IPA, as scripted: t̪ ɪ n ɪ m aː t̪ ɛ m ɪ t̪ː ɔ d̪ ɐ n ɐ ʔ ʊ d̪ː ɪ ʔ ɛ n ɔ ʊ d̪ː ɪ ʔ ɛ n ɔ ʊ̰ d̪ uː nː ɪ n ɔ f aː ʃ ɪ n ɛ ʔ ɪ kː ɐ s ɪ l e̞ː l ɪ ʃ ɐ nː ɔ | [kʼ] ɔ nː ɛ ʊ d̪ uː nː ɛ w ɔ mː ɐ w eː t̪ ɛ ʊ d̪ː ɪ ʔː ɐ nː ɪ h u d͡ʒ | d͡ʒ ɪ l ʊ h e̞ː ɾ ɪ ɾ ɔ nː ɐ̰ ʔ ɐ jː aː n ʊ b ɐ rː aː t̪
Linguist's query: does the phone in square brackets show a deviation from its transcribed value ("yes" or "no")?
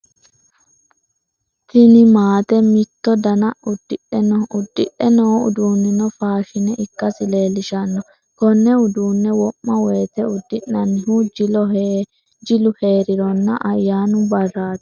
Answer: yes